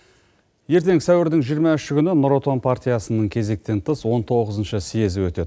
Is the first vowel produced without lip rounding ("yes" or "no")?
yes